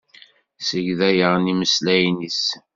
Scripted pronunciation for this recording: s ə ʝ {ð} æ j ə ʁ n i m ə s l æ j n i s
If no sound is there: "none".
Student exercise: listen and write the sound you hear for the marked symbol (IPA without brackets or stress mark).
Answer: ð